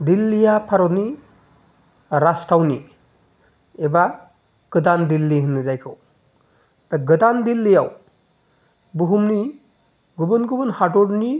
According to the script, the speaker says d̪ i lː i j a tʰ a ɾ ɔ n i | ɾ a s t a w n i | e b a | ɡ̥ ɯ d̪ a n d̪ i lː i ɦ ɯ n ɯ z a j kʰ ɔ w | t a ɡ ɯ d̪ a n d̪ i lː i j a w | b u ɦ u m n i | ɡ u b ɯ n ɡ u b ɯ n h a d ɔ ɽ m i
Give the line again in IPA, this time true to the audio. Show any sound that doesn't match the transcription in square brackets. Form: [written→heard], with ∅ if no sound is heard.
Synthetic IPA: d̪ i lː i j a [tʰ→pʰ] a ɾ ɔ n i | ɾ a s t a w n i | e b a | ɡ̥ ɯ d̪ a n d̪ i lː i ɦ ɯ n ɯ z a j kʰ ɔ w | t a ɡ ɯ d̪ a n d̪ i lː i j a w | b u ɦ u m n i | ɡ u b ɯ n ɡ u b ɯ n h a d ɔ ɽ [m→n] i